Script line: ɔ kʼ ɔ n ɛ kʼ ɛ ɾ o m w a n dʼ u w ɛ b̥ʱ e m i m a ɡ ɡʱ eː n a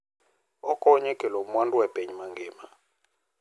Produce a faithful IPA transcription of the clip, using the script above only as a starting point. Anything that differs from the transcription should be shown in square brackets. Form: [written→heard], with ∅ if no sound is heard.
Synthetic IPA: ɔ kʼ ɔ [n→ɲ] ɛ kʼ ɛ [ɾ→l] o m w a n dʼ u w ɛ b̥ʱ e [m→ɲ] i m a [ɡ→ŋ] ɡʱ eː [n→m] a